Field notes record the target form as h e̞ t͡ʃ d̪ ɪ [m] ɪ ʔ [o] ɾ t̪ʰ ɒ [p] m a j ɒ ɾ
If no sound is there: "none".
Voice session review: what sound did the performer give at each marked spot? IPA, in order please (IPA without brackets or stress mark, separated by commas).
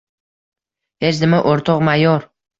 m, o, q